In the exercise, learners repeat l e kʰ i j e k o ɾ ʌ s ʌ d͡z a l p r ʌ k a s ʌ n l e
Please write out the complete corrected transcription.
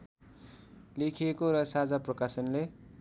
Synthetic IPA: l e kʰ i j e k o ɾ ʌ s a d͡z a p r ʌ k a s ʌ n l e